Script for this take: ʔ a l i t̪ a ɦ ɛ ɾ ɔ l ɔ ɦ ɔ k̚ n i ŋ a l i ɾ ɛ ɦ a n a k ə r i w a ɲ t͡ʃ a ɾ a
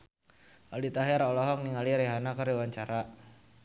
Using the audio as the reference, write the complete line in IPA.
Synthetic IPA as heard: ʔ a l i t̪ a ɦ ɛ ɾ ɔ l ɔ ɦ ɔ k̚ n i ŋ a l i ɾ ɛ ɦ a n a k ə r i w a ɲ t͡ʃ a ɾ a